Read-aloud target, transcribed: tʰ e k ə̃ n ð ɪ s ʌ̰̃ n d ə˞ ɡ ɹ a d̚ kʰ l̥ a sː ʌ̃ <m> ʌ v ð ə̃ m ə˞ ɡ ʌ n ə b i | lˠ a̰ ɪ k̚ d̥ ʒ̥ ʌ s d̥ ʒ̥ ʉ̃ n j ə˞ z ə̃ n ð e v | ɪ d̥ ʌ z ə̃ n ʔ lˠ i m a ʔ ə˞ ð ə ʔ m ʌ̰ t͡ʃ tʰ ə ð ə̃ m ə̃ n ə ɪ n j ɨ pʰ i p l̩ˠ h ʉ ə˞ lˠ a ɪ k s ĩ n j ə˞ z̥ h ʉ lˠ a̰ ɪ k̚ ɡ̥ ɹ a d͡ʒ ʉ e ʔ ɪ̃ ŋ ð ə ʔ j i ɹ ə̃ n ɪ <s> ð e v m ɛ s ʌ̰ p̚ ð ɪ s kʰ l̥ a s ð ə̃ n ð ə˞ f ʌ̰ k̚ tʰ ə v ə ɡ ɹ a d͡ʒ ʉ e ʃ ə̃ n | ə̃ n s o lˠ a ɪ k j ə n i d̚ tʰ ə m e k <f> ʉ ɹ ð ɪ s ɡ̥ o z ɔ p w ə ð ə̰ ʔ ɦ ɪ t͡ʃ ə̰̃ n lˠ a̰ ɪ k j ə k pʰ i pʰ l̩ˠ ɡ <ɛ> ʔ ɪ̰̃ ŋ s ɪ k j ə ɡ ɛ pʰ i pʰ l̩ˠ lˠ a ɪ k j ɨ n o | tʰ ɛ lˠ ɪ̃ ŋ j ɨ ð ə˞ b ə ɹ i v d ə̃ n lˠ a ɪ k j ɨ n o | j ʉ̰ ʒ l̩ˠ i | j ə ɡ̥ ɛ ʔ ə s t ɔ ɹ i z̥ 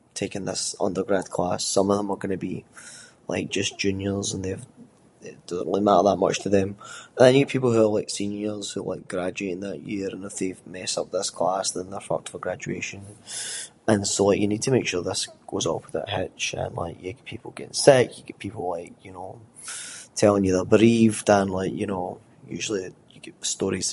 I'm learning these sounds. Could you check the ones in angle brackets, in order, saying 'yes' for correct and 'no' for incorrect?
yes, no, no, yes

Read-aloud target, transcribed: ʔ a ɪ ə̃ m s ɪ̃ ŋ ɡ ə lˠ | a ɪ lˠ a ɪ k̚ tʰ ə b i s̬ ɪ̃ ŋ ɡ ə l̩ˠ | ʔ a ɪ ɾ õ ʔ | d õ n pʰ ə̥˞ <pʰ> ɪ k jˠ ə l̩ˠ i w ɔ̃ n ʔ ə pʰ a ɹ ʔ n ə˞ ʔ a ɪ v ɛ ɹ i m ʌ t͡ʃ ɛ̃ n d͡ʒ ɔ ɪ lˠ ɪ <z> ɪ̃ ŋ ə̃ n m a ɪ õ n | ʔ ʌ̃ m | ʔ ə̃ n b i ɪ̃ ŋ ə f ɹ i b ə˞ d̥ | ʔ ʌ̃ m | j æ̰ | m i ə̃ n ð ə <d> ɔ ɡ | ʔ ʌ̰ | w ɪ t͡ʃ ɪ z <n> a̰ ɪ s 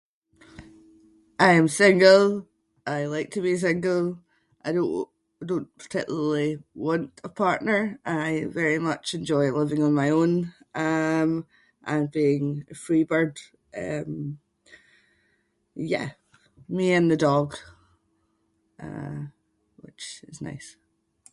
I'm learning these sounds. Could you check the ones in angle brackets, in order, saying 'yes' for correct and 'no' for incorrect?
no, no, yes, yes

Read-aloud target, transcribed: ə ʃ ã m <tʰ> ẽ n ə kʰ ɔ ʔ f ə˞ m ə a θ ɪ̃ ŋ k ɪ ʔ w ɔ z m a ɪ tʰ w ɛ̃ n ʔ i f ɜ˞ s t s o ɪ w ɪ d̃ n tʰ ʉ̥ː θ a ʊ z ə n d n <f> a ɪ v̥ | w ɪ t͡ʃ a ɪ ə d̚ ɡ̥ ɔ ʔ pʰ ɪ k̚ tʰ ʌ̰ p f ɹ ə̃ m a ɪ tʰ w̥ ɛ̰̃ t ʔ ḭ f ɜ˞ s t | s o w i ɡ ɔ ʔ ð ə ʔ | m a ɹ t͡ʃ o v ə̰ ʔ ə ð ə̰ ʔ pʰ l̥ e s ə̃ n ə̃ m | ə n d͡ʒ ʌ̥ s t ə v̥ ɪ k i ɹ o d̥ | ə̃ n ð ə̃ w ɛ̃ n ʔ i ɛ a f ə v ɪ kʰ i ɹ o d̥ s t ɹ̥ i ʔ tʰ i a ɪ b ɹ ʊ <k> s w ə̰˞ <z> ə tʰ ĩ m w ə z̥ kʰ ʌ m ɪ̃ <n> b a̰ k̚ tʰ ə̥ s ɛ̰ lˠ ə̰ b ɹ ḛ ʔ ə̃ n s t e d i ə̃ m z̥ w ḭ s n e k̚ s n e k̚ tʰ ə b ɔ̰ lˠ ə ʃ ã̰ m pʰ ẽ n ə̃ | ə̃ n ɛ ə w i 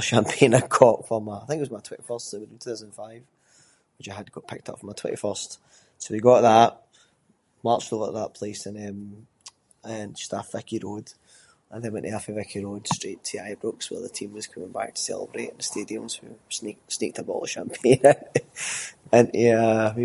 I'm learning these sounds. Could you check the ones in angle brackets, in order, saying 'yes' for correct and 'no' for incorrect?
no, yes, yes, no, no

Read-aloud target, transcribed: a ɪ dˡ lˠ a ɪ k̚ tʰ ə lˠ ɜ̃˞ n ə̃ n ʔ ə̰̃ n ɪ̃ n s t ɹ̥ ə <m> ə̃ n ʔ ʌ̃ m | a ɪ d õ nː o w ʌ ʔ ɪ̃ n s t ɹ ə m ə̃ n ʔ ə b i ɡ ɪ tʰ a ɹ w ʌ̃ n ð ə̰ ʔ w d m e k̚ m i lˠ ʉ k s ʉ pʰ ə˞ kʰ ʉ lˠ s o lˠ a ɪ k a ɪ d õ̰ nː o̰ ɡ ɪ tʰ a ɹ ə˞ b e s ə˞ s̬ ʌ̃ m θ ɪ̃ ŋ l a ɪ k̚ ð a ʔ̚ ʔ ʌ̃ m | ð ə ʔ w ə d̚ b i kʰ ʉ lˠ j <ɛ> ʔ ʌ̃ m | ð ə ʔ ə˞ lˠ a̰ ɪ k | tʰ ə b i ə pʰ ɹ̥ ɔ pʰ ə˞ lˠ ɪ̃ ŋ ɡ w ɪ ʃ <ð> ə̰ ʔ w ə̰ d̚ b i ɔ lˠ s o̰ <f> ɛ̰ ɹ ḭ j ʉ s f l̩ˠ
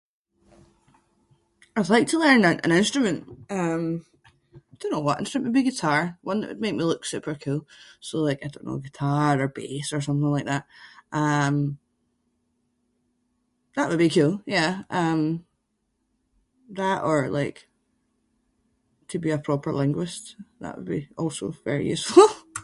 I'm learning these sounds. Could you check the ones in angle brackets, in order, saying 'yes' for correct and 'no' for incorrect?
yes, no, yes, no

